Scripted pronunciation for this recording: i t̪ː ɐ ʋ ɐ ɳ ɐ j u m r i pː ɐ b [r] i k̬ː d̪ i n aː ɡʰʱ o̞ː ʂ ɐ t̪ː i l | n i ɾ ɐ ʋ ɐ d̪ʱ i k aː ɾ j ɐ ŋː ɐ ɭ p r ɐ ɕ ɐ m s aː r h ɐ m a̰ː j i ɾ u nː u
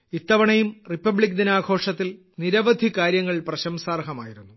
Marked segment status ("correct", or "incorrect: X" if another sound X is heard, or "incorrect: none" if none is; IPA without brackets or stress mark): incorrect: ɭ